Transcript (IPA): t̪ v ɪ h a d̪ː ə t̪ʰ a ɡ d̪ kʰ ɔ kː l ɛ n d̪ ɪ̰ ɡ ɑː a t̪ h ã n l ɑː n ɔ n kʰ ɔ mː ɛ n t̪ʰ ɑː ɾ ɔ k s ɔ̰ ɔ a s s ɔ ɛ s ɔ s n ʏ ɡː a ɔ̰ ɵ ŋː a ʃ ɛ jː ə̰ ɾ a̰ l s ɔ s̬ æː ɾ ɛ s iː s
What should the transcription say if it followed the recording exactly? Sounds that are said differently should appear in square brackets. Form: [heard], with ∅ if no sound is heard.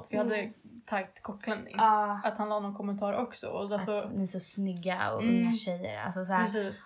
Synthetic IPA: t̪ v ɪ h a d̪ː ə t̪ʰ a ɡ [t̪] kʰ ɔ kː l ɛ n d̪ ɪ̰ [ŋ] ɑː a t̪ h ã n l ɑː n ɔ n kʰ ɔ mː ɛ n t̪ʰ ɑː ɾ ɔ k s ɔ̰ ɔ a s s ɔ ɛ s ɔ s n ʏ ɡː a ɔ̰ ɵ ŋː a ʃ ɛ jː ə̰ ɾ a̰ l s ɔ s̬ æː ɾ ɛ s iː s